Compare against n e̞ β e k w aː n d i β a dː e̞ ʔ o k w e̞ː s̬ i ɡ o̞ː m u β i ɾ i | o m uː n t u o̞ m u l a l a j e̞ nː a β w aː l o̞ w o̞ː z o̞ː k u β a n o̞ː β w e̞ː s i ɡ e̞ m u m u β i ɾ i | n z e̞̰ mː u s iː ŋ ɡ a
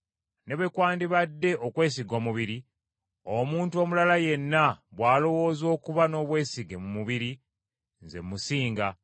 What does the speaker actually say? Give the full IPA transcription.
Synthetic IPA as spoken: n e̞ β e k w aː n d i β a dː e̞ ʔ o k w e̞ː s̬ i ɡ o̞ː m u β i ɾ i | o m uː n t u o̞ m u l a l a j e̞ nː a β w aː l o̞ w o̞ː z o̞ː k u β a n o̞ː β w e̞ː s i ɡ e̞ m u m u β i ɾ i | n z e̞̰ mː u s iː ŋ ɡ a